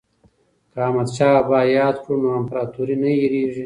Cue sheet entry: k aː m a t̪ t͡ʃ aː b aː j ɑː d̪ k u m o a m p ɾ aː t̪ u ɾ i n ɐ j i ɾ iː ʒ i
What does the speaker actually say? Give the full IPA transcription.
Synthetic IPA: k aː m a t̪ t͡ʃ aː b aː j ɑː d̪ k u n o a m p ɾ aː t̪ u ɾ i n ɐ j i ɾ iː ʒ i